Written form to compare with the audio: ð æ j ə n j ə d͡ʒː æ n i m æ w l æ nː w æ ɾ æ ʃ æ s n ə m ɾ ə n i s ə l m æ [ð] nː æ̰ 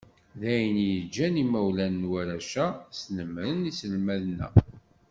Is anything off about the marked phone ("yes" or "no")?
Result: no